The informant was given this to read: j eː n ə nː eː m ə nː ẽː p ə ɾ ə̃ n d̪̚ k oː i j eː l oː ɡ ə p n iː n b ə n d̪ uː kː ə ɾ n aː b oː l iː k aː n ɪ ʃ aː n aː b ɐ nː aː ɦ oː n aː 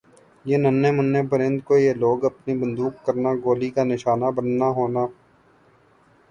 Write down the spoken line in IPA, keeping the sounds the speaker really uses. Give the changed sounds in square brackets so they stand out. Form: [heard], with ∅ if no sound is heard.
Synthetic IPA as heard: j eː n ə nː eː m ə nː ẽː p ə ɾ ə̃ n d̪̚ k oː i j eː l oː ɡ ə p n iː [∅] b ə n d̪ uː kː ə ɾ n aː [ɡ] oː l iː k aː n ɪ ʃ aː n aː b [ə] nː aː ɦ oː n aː

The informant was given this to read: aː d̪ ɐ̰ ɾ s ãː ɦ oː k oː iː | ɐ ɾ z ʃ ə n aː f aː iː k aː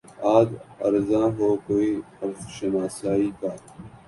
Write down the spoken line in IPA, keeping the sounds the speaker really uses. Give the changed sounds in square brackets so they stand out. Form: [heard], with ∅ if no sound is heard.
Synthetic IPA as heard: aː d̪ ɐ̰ ɾ [z] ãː ɦ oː k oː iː | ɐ ɾ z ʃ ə n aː [s] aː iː k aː

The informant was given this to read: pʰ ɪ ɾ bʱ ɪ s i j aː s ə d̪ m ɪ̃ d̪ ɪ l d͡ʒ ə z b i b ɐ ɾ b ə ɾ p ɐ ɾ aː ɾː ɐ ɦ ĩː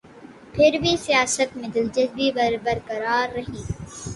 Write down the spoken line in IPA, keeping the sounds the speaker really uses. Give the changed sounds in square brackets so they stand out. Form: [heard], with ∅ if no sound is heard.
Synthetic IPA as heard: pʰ ɪ ɾ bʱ [i] s i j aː s ə [t̪] m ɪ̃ d̪ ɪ l d͡ʒ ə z b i b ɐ ɾ b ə ɾ [k] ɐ ɾ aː ɾː ɐ ɦ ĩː

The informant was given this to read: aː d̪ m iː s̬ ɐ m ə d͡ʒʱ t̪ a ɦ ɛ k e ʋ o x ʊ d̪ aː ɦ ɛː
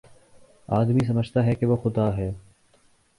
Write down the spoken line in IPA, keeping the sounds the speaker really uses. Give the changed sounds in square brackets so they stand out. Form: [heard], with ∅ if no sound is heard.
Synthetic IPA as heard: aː d̪ m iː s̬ ɐ m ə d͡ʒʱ t̪ a ɦ ɛ k e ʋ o x ʊ d̪ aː ɦ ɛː

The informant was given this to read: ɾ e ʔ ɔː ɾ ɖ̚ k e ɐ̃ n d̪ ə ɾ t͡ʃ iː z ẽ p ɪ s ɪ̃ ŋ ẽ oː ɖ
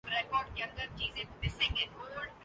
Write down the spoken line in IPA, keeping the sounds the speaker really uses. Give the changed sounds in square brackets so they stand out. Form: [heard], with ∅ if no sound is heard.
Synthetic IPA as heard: ɾ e [k] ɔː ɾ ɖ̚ k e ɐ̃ n d̪ ə ɾ t͡ʃ iː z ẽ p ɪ s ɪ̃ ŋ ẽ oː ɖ

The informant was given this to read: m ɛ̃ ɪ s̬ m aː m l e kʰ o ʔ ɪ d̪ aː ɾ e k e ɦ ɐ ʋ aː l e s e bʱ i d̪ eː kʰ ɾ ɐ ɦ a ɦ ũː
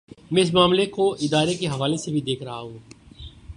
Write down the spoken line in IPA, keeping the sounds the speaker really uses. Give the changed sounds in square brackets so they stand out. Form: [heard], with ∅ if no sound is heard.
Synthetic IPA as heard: m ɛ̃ ɪ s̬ m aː m l e [k] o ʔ ɪ d̪ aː ɾ e k e ɦ ɐ ʋ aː l e s e bʱ i d̪ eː kʰ ɾ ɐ ɦ a ɦ ũː

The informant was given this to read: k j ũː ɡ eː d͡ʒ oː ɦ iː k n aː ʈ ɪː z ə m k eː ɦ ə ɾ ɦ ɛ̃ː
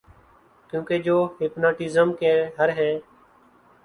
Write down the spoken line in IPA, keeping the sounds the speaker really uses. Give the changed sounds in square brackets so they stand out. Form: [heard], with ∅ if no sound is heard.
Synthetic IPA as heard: k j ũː [k] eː d͡ʒ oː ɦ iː [p] n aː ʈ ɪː z ə m k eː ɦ ə ɾ ɦ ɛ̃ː

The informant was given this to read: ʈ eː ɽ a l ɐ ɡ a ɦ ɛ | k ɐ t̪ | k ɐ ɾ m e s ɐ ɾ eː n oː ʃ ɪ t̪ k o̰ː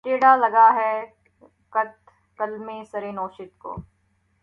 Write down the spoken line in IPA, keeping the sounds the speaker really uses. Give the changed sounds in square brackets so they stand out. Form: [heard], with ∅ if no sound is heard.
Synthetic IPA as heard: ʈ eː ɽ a l ɐ ɡ a ɦ ɛ | k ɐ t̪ | k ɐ [l] m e s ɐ ɾ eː n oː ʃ ɪ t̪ k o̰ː

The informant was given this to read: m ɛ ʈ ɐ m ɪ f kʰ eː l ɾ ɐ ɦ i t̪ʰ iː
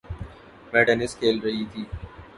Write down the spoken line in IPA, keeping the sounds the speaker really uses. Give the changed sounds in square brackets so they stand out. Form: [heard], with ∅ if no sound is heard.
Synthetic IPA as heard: m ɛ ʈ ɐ [n] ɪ [s] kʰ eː l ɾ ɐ ɦ i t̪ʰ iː

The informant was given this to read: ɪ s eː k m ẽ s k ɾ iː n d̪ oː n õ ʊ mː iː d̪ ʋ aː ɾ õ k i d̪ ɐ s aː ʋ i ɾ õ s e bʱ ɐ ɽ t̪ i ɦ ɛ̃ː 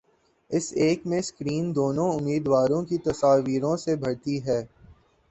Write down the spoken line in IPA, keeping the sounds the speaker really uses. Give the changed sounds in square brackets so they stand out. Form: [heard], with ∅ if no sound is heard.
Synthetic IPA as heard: ɪ s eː k m ẽ s k ɾ iː n d̪ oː n õ ʊ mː iː d̪ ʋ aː ɾ õ k i [t̪] ɐ s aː ʋ [iː] ɾ õ s e bʱ ɐ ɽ t̪ i ɦ [ɛː]

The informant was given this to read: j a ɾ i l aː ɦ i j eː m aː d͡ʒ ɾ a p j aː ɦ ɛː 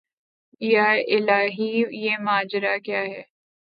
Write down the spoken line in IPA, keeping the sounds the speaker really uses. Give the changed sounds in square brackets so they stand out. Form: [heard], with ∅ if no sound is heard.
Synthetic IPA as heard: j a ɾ [ɪ] l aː ɦ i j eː m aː d͡ʒ ɾ a [k] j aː ɦ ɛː

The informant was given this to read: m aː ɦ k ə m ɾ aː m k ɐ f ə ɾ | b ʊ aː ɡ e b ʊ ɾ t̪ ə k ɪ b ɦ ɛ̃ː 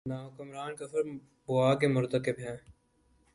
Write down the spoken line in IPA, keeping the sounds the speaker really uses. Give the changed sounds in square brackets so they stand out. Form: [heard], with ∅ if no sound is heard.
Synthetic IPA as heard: [n] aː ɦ k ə m ɾ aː [n] k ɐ f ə ɾ | b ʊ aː [k] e [m] ʊ ɾ t̪ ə k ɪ b ɦ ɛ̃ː

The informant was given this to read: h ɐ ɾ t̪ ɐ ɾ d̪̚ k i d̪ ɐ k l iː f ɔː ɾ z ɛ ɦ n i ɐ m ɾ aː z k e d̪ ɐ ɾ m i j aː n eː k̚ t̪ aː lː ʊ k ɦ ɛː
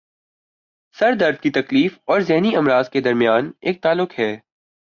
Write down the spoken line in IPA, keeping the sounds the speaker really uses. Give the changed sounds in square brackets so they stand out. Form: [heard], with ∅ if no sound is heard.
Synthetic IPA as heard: [s] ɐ ɾ [d̪] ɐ ɾ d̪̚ k i [t̪] ɐ k l iː f ɔː ɾ z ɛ ɦ n i ɐ m ɾ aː z k e d̪ ɐ ɾ m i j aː n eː k̚ t̪ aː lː ʊ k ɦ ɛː

